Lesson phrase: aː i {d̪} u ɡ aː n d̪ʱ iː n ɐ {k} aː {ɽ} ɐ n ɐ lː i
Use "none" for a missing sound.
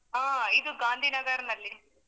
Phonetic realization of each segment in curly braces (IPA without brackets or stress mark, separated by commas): d̪, ɡ, ɾ